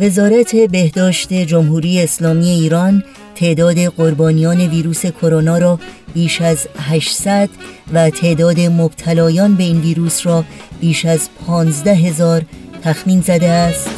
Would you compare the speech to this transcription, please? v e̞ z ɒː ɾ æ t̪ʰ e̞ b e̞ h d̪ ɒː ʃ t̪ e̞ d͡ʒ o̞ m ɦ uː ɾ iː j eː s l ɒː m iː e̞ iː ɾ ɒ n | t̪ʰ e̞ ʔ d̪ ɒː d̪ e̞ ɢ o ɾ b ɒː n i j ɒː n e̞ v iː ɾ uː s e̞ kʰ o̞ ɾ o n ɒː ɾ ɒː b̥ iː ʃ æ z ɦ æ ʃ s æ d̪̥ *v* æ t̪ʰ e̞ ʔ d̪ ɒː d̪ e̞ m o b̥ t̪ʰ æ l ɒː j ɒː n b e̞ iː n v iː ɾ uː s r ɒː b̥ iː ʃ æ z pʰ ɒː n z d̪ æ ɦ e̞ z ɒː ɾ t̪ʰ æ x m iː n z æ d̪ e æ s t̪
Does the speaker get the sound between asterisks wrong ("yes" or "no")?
no